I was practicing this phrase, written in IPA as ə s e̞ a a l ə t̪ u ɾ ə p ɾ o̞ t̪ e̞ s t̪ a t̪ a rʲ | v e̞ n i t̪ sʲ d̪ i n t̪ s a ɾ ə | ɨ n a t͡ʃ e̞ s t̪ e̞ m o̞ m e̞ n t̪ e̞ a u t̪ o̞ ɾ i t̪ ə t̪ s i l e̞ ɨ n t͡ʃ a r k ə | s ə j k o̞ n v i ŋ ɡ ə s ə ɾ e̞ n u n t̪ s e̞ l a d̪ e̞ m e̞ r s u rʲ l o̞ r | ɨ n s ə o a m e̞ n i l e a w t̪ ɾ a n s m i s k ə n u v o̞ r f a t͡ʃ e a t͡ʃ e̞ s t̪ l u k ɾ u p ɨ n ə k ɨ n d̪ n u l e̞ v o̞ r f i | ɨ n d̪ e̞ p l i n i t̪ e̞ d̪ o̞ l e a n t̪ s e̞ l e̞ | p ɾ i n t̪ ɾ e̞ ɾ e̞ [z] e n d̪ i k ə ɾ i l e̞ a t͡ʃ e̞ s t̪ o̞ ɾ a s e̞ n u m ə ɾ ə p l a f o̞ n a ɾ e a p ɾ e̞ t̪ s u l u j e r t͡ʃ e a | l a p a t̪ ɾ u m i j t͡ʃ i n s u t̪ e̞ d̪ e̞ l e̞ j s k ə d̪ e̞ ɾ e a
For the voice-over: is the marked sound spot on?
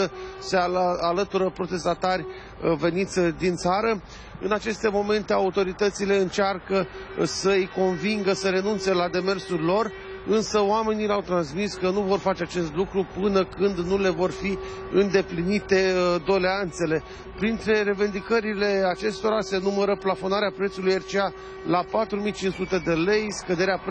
no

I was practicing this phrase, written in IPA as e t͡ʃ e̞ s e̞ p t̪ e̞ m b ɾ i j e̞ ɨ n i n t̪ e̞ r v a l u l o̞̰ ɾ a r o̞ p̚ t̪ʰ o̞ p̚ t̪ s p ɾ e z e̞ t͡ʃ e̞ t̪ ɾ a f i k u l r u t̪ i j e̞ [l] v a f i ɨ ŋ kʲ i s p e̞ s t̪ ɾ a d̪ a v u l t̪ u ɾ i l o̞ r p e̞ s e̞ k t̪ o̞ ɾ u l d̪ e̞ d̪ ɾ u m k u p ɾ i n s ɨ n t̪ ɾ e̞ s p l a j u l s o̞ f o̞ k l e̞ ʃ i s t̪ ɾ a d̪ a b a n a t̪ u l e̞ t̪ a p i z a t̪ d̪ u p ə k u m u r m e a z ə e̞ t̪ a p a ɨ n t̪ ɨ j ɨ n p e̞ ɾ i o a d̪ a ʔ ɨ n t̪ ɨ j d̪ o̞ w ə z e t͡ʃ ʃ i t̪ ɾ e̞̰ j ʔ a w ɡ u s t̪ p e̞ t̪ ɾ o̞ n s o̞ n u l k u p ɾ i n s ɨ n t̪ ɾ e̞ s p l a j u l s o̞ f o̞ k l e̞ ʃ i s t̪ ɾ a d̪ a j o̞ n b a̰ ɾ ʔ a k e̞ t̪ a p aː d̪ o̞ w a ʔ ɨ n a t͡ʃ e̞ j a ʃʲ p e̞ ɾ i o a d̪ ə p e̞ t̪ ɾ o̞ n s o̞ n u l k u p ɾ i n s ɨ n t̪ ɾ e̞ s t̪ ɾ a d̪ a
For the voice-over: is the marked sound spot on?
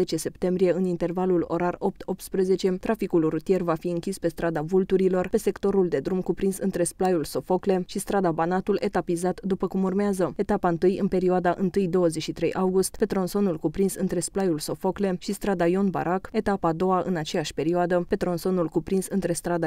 no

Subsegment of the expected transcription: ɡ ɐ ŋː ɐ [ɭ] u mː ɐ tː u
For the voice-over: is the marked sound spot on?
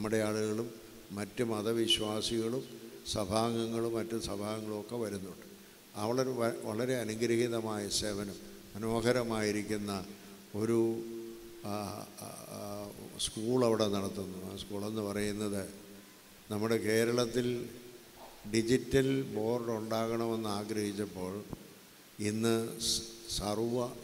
yes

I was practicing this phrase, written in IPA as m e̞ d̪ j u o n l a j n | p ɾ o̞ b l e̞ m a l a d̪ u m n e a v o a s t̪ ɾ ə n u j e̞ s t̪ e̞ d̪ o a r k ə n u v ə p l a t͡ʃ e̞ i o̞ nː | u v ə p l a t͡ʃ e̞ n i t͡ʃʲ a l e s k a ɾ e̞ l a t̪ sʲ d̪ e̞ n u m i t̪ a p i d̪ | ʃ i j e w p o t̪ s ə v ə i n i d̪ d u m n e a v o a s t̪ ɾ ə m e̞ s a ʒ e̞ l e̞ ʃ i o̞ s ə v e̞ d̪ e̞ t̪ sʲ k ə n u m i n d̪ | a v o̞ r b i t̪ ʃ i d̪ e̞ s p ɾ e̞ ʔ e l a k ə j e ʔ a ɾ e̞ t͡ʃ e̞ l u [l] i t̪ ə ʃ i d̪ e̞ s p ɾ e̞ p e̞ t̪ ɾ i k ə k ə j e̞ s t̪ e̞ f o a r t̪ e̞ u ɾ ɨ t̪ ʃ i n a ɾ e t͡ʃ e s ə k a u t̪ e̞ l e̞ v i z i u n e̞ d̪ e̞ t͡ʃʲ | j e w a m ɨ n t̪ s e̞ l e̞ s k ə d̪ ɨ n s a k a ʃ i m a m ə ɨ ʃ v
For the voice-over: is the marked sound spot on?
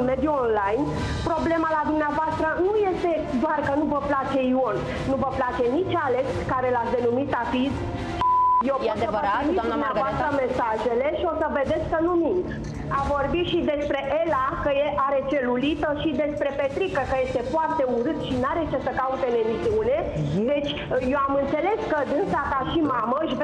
yes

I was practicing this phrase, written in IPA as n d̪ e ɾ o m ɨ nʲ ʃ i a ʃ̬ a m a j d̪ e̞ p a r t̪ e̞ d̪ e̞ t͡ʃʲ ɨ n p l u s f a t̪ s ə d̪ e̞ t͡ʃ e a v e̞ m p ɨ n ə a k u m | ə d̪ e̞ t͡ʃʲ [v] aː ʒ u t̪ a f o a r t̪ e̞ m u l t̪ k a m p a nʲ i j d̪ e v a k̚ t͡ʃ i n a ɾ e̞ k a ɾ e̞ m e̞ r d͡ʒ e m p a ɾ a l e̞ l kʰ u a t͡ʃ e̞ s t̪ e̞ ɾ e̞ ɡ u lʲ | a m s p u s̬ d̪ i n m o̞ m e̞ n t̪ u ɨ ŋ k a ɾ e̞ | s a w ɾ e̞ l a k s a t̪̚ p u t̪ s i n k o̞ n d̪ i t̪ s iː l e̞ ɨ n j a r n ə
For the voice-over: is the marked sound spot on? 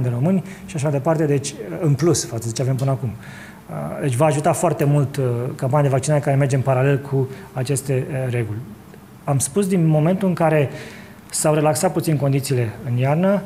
yes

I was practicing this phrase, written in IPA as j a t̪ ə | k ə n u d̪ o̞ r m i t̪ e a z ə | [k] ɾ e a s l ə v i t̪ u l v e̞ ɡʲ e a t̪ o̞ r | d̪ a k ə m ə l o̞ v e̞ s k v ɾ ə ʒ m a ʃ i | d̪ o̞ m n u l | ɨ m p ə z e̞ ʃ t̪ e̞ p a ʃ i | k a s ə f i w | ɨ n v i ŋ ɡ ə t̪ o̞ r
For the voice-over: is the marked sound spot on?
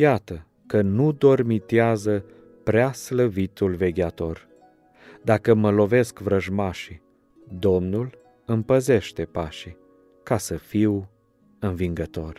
no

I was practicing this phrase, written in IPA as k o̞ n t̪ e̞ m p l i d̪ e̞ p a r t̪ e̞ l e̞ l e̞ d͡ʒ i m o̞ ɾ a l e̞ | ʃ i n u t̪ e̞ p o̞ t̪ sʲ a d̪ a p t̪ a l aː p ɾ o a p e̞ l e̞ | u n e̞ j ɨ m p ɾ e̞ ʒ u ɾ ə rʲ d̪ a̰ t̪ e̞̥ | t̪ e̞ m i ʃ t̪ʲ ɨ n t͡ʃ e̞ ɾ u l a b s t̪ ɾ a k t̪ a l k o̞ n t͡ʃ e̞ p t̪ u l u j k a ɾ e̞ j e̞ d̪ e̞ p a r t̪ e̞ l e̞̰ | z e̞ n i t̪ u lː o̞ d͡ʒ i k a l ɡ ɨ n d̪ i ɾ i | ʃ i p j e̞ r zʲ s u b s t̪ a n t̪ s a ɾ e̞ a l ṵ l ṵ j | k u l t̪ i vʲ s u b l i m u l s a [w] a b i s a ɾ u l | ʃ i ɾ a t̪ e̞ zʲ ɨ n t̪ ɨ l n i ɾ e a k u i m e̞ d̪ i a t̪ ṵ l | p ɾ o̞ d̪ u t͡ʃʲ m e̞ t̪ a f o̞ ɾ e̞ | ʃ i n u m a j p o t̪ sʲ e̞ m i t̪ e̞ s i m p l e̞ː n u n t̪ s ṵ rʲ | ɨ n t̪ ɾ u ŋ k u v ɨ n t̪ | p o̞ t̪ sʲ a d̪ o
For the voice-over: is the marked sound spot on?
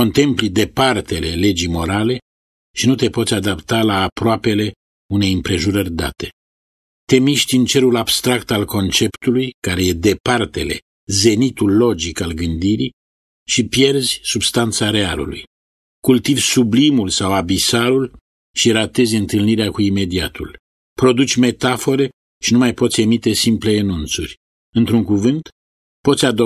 yes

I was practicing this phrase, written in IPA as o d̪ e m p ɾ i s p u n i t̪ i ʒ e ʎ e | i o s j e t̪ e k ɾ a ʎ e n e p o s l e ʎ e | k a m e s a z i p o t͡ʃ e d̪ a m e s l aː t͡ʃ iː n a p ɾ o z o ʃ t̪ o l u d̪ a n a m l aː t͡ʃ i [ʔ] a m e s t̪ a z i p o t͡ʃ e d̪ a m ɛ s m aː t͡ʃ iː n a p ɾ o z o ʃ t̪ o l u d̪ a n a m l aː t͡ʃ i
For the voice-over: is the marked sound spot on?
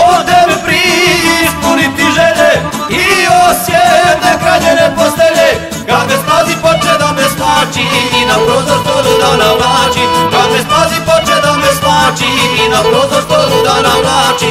no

